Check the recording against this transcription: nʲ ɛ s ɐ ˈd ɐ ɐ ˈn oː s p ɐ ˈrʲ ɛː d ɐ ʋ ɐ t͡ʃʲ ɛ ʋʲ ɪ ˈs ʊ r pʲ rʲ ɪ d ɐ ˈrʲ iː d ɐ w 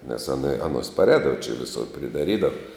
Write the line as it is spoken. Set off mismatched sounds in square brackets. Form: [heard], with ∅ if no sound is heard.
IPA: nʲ ɛ s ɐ [ˈn] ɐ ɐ ˈn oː s p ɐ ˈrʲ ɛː d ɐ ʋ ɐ t͡ʃʲ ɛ ʋʲ ɪ ˈs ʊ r pʲ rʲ ɪ d ɐ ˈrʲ iː d ɐ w